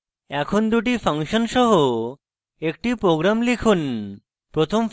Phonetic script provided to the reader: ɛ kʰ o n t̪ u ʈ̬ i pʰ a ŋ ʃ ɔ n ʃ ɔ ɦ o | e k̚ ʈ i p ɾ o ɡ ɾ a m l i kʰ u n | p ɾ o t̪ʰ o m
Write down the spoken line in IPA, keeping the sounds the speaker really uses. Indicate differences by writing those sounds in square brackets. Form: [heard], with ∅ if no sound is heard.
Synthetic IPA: ɛ kʰ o n [d̪] u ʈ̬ i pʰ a ŋ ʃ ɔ n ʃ ɔ ɦ o | e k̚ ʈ i p ɾ o ɡ ɾ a m l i kʰ u n | p ɾ o t̪ʰ o m

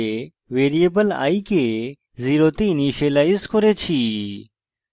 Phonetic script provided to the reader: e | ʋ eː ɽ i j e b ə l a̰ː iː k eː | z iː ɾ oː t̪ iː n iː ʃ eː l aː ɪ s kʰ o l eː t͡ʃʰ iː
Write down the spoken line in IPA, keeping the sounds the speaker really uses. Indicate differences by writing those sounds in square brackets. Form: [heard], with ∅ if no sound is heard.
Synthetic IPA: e | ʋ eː [ɾ] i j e b ə l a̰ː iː k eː | z iː ɾ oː t̪ iː n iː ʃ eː l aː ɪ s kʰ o [ɾ] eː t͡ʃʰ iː

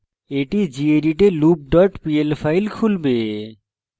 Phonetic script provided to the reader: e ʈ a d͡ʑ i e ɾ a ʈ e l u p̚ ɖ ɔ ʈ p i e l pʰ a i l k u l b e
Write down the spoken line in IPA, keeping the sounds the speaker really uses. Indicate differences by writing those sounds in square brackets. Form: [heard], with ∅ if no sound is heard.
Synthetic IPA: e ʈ [i] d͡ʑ i e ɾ [i] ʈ e l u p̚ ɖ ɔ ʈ p i e l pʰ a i l [kʰ] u l b e

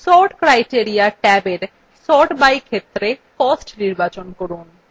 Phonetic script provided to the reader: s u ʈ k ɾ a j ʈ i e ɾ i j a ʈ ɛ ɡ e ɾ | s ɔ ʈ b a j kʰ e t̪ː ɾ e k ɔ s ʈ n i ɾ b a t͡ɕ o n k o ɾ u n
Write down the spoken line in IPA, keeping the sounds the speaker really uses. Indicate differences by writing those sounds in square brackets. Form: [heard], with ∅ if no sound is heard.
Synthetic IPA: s [ɔ] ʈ k ɾ a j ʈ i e ɾ i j a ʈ ɛ [b] e ɾ | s ɔ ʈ b a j kʰ e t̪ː ɾ e k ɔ s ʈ n i ɾ b a t͡ɕ o n k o ɾ u n

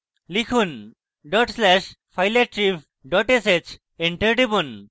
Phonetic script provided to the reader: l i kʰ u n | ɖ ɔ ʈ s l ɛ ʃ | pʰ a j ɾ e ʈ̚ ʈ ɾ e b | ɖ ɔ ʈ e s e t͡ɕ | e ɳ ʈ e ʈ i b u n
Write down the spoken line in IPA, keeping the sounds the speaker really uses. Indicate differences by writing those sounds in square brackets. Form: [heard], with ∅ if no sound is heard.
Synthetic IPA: l i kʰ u n | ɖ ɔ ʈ s l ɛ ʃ | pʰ a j [l] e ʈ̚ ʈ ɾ [i] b | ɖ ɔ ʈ e s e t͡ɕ | e ɳ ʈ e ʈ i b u n

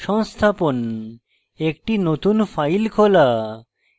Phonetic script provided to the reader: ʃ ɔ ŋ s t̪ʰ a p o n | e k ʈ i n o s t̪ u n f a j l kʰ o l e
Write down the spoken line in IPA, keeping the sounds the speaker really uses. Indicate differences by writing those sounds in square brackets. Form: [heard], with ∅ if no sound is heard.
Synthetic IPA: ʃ ɔ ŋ s t̪ʰ a p o n | e k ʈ i n o [∅] t̪ u n f a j l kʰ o l [a]

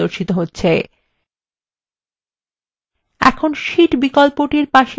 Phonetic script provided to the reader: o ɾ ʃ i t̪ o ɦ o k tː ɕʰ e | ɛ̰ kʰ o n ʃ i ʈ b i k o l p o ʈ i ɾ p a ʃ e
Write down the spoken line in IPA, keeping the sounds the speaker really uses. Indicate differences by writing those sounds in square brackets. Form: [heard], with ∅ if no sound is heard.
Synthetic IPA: o ɾ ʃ i t̪ o ɦ o [∅] tː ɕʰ e | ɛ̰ kʰ o n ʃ i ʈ b i k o l p o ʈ i ɾ p a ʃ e

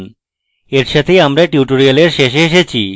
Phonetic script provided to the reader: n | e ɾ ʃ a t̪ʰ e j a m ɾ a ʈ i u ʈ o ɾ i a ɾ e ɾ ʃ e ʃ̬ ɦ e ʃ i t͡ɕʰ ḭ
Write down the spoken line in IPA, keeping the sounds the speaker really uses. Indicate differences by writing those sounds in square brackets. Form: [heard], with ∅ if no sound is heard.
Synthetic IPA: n | e ɾ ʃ a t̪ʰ e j a m ɾ a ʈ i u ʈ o ɾ i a [l] e ɾ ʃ e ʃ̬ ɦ e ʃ [e] t͡ɕʰ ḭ

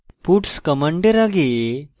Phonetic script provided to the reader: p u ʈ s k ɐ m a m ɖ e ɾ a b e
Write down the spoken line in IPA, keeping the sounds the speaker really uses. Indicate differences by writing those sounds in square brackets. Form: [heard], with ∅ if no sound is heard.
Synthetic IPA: p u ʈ s k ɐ m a [ɳ] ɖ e ɾ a [ɡ] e

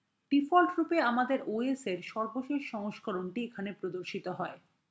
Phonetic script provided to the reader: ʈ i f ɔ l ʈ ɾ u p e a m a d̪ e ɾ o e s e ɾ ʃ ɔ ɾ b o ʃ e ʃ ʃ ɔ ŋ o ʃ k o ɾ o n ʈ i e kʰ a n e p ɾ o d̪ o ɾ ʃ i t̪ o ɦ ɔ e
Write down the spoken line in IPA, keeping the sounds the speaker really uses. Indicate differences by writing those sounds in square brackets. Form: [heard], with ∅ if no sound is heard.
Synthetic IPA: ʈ i f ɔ l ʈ ɾ u p e a m a d̪ e ɾ o e s e ɾ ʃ ɔ ɾ b o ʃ e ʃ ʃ ɔ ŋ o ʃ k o ɾ o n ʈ i e kʰ a n e p ɾ o d̪ o ɾ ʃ i t̪ o ɦ ɔ e

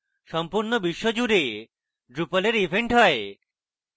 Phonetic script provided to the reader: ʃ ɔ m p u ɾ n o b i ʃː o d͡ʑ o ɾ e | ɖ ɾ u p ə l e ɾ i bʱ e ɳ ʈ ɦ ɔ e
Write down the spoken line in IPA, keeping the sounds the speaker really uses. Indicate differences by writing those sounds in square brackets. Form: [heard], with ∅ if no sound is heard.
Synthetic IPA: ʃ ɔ m p u ɾ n o b i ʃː o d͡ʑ [u] ɾ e | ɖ ɾ u p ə l e ɾ i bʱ e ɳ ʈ ɦ ɔ e

